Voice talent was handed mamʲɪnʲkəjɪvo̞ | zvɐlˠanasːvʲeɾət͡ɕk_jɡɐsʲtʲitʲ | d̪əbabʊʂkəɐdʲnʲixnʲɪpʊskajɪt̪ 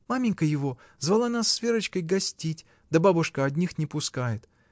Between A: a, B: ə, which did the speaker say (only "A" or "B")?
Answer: B